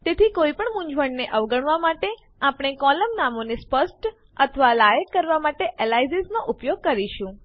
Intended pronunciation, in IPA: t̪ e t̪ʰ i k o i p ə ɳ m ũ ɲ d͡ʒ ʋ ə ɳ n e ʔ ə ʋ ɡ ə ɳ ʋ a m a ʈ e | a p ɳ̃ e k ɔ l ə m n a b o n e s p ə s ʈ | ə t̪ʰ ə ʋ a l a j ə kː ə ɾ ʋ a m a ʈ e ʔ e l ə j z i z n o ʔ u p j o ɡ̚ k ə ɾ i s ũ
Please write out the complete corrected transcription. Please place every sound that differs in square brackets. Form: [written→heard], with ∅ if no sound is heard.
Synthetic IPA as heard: t̪ e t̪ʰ i k o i p ə ɳ m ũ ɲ d͡ʒ ʋ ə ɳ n e ʔ ə ʋ ɡ ə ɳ ʋ a m a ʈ e | a p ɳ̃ e k ɔ l ə m n a [b→m] o n e s p ə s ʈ | ə t̪ʰ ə ʋ a l a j ə kː ə ɾ ʋ a m a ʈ e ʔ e l [ə→a] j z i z n o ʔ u p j o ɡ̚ k ə ɾ i [s→ʃ] ũ